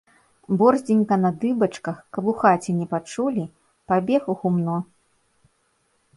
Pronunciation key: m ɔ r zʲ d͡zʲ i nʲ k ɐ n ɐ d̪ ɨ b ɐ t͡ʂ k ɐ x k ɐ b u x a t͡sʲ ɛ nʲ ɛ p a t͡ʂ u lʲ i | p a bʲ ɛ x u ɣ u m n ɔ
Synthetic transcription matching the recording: b ɔ r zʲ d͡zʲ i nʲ k ɐ n ɐ d̪ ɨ b ɐ t͡ʂ k ɐ x k ɐ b u x a t͡sʲ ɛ nʲ ɛ p a t͡ʂ u lʲ i | p a bʲ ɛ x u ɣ u m n ɔ